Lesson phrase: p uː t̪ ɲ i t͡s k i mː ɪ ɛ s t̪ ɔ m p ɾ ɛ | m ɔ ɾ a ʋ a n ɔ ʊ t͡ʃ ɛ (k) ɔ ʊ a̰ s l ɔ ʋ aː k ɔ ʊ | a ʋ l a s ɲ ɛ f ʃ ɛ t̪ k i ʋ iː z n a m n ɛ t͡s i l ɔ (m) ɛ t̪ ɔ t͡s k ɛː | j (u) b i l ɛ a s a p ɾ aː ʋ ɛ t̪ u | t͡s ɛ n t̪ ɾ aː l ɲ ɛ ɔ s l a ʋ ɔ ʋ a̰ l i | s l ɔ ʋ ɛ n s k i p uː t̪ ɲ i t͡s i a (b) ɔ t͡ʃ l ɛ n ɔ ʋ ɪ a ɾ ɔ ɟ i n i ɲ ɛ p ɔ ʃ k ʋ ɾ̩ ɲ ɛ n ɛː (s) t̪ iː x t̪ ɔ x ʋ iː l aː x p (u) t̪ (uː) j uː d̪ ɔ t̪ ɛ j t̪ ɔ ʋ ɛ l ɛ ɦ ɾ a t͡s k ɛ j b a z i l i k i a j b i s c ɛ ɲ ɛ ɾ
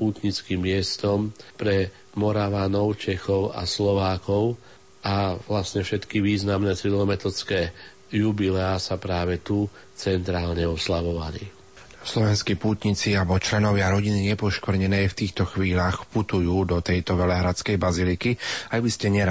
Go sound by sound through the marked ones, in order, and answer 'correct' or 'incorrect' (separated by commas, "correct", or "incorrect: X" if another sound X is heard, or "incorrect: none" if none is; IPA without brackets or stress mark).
incorrect: x, correct, correct, correct, incorrect: f, correct, incorrect: u